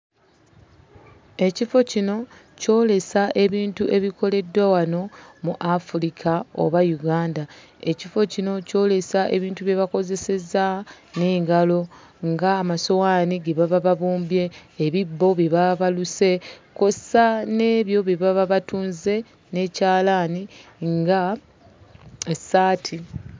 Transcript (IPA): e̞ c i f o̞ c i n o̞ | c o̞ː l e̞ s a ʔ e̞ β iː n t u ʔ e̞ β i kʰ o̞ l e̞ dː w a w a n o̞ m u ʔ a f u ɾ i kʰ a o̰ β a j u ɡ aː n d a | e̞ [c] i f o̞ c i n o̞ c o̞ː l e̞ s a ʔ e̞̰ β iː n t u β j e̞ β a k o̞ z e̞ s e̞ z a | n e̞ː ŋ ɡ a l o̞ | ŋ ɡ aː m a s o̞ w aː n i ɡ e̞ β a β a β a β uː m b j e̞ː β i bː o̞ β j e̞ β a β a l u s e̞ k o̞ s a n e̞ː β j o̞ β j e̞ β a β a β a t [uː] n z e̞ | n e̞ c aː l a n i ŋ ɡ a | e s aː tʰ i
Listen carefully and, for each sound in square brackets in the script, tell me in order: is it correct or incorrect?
correct, correct

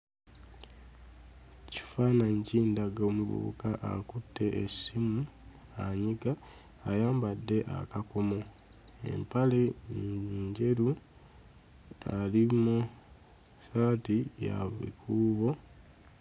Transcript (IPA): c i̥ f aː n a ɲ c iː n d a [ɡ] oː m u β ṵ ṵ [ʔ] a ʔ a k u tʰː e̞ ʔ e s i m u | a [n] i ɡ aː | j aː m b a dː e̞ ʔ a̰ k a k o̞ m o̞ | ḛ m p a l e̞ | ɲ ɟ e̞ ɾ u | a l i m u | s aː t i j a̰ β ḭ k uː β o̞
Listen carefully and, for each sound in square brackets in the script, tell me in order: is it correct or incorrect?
correct, incorrect, incorrect

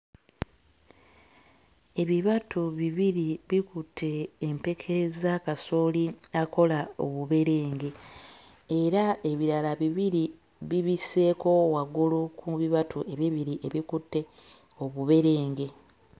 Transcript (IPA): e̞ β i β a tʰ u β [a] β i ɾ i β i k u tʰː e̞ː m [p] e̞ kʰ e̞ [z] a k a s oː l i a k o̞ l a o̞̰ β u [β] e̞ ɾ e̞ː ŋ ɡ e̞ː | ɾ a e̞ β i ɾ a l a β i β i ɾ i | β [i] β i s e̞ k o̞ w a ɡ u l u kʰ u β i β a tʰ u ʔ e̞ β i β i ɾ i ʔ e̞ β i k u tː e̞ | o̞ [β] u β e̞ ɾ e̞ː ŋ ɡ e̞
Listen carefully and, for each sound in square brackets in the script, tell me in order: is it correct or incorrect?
incorrect, correct, correct, correct, correct, correct

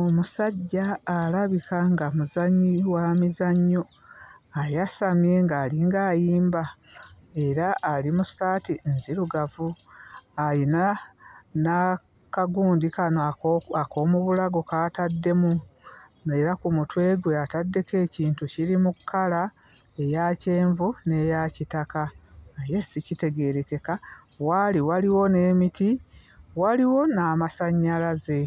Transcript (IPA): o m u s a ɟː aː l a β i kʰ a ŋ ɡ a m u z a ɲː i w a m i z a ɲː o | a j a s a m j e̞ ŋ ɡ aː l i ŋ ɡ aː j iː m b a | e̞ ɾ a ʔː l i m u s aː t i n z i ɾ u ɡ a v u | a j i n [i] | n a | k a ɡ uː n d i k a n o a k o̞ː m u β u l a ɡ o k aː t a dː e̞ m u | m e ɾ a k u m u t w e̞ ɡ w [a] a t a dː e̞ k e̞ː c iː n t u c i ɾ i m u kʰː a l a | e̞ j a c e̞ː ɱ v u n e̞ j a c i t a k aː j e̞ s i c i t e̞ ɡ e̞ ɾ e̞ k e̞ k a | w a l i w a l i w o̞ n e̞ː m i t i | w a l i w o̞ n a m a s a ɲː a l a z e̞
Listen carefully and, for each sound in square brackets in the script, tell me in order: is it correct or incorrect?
incorrect, incorrect

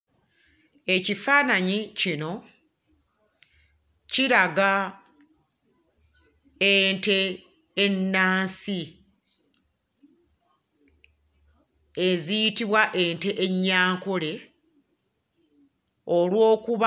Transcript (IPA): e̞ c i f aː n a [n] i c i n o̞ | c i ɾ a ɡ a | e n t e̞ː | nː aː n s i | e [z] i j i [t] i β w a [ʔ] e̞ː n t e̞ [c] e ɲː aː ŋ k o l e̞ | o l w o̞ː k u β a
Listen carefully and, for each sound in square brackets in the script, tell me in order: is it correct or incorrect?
incorrect, correct, correct, correct, incorrect

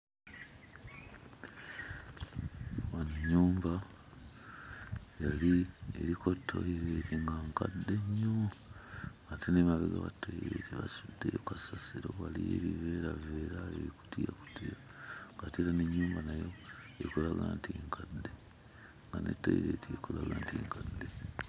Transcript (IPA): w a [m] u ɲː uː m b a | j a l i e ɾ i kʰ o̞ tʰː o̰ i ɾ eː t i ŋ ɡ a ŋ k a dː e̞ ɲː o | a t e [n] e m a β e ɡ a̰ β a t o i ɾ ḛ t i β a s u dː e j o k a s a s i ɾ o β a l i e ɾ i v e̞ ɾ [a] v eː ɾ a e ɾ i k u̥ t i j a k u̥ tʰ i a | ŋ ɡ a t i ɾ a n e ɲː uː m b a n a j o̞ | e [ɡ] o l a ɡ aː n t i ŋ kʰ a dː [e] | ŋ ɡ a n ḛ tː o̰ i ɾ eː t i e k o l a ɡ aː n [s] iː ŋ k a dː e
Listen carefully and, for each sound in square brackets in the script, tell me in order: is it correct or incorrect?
incorrect, correct, correct, incorrect, correct, incorrect

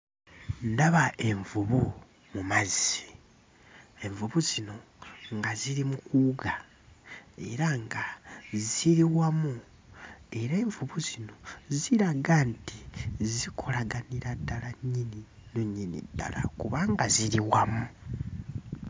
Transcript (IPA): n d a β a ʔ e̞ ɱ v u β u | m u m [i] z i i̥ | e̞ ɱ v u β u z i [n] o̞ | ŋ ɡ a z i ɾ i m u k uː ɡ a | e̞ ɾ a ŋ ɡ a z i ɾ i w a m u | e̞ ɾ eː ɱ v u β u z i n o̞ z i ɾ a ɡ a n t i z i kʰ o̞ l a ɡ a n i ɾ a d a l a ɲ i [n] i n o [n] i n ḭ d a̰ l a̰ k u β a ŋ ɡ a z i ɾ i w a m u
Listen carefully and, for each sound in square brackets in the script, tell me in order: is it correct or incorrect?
incorrect, correct, correct, incorrect

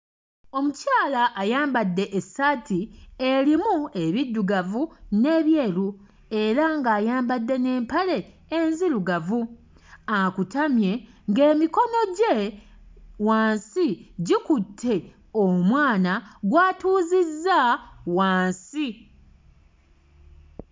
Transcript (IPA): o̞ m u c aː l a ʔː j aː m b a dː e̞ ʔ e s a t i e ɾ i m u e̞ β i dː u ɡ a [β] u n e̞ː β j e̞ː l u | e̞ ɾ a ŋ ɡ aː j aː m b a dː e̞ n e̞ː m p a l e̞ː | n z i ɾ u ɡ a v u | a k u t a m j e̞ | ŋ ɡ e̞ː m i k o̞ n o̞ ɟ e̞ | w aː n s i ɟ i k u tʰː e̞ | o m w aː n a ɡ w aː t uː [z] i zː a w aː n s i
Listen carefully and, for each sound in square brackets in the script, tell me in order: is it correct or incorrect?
incorrect, correct

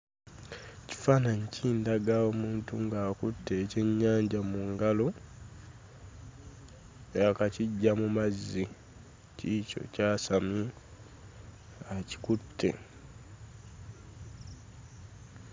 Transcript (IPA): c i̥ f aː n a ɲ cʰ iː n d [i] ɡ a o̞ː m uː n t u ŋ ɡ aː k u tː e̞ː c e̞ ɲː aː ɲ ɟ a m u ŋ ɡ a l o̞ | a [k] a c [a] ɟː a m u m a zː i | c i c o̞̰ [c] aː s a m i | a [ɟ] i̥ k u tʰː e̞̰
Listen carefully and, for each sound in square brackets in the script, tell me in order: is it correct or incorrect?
incorrect, correct, incorrect, correct, incorrect

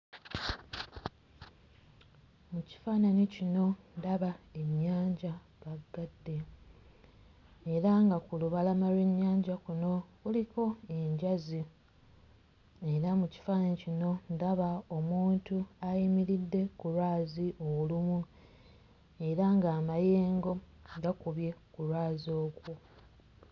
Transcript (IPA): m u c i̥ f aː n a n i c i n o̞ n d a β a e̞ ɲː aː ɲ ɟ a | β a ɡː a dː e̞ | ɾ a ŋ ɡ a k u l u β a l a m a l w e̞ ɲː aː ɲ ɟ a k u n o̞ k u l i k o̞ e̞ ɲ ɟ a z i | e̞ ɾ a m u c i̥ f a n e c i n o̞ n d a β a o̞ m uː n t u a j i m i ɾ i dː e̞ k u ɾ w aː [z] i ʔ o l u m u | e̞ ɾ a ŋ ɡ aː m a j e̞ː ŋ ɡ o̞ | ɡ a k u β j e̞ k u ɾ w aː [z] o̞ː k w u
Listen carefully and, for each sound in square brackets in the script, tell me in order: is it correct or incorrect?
correct, correct

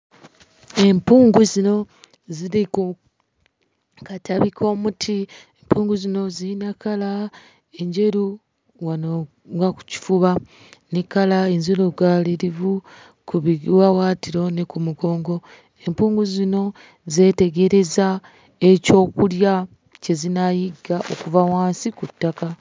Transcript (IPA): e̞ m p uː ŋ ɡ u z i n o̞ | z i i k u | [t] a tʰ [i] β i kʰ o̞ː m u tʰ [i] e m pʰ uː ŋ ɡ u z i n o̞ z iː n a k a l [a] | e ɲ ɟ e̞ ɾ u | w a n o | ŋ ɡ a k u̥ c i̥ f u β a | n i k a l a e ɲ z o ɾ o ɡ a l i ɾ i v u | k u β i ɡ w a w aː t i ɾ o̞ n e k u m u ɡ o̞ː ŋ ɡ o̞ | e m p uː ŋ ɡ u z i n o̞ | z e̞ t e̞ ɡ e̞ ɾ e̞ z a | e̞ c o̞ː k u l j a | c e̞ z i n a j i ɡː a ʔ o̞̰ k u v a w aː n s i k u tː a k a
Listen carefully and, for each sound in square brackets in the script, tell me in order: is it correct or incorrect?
incorrect, incorrect, correct, correct

